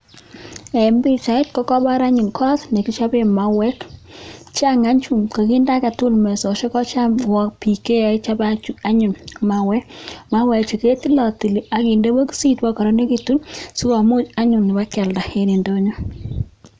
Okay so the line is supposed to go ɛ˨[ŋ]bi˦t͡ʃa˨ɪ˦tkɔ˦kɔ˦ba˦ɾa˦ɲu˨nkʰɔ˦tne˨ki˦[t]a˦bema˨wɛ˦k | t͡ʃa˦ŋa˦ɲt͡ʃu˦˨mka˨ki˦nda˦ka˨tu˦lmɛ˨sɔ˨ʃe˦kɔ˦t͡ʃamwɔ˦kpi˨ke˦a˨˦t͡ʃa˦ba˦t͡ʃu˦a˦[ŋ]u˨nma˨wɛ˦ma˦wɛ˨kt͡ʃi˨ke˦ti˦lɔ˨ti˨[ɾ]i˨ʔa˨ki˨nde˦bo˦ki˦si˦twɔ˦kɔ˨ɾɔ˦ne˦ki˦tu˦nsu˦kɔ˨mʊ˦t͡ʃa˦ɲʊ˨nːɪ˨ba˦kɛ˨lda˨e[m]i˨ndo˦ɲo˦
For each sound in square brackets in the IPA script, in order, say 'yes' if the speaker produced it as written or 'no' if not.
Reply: no, no, no, no, no

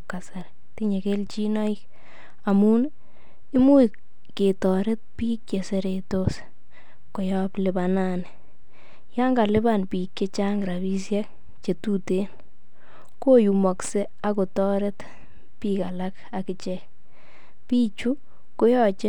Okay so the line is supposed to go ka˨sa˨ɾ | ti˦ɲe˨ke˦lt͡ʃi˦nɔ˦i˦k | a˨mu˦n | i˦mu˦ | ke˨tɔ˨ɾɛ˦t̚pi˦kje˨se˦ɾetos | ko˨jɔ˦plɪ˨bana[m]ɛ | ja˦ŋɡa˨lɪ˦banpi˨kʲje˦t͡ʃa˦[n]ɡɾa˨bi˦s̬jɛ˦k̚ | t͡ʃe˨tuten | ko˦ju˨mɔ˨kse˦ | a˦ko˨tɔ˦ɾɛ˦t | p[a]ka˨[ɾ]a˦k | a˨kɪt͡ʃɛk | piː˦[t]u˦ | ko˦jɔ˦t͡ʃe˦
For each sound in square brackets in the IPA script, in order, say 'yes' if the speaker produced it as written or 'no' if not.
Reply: no, no, no, no, no

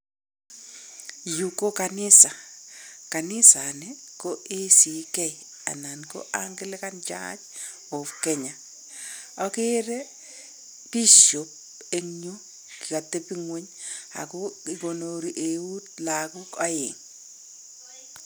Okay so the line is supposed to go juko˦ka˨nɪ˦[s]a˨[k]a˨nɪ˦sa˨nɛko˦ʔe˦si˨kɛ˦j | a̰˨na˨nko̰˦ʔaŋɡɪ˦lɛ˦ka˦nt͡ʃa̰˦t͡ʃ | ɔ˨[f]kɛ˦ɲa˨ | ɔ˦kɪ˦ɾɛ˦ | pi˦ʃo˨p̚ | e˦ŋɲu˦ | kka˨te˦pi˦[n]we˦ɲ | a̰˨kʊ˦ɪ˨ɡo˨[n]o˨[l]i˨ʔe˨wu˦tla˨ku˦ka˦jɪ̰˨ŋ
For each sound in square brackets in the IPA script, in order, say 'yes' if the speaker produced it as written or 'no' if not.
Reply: yes, yes, yes, no, yes, no

